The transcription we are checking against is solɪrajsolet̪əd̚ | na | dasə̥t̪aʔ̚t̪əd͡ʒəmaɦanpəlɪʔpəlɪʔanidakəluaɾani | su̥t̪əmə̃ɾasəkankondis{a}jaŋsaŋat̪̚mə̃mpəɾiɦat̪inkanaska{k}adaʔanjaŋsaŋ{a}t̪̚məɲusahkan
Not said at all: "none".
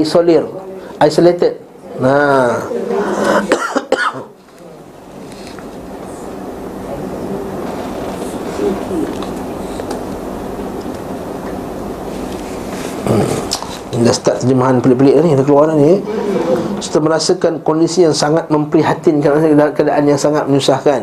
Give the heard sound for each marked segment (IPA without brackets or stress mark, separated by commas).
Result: i, k, a